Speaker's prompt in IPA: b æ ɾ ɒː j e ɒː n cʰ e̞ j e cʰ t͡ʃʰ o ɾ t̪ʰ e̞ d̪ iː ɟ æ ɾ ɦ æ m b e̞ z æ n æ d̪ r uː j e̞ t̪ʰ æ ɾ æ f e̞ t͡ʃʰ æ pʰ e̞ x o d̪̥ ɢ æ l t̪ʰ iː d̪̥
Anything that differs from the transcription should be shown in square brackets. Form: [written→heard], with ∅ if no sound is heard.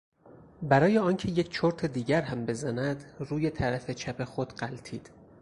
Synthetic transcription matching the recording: b æ ɾ ɒː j e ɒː n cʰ e̞ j e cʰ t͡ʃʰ o ɾ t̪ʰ e̞ d̪ iː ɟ æ ɾ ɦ æ m b e̞ z æ n æ d̪ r uː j e̞ t̪ʰ æ ɾ æ f e̞ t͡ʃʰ æ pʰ e̞ x o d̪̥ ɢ æ l t̪ʰ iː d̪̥

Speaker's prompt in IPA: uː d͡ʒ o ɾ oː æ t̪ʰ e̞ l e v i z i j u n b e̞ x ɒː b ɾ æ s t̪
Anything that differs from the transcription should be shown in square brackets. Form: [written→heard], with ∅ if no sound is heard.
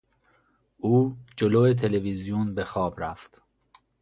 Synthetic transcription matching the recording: uː d͡ʒ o [ɾ→l] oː [æ→e] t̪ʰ e̞ l e v i z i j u n b e̞ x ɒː b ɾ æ [s→f] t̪

